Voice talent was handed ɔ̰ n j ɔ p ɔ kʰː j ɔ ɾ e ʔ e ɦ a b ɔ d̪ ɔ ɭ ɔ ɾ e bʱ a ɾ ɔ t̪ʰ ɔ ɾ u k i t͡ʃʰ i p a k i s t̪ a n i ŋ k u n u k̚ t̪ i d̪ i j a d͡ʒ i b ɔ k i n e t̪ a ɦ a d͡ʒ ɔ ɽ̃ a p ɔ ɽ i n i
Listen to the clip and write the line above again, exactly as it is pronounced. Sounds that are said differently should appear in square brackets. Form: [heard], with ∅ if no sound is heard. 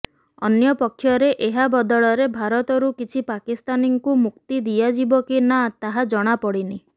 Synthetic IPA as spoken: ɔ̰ n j ɔ p ɔ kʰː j ɔ ɾ e ʔ e ɦ a b ɔ d̪ ɔ ɭ ɔ ɾ e bʱ a ɾ ɔ [t̪] ɔ ɾ u k i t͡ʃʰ i p a k i s t̪ a n i ŋ k u [m] u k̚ t̪ i d̪ i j a d͡ʒ i b ɔ k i n [a] t̪ a ɦ a d͡ʒ ɔ ɽ̃ a p ɔ ɽ i n i